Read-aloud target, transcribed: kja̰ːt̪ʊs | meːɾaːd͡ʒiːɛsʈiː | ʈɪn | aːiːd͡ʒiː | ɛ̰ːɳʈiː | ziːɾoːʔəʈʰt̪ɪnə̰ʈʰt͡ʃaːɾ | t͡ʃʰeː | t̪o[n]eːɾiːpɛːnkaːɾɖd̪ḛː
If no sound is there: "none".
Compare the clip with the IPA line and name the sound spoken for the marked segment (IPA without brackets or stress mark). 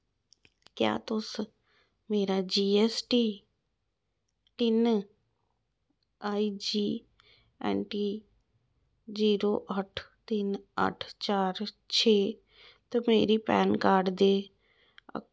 m